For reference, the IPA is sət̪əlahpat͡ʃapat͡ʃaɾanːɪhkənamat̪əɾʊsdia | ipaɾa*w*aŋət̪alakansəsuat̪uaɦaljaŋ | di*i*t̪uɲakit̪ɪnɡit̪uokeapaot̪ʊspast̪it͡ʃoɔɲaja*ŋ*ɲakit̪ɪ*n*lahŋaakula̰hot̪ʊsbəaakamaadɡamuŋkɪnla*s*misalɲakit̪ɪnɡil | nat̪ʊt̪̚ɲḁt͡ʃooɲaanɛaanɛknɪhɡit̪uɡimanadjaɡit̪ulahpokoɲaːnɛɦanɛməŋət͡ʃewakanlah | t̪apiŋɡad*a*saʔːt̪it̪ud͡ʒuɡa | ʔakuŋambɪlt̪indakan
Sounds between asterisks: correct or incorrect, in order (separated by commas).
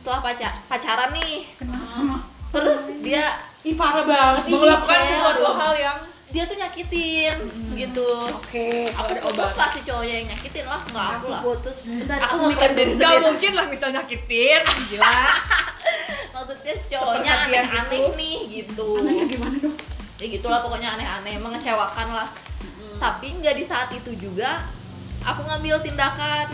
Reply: incorrect, incorrect, correct, correct, incorrect, incorrect